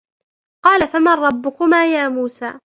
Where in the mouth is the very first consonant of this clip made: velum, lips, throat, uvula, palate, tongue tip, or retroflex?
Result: uvula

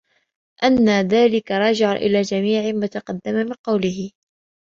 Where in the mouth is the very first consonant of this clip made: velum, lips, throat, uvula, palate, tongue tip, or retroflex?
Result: throat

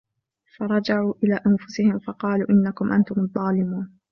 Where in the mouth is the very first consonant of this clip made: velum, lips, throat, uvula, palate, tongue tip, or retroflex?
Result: lips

